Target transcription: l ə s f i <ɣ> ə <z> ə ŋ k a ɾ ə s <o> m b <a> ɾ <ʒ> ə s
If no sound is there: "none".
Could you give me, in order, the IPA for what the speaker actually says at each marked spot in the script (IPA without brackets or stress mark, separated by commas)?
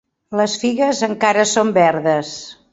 ɣ, z, o, ɛ, ð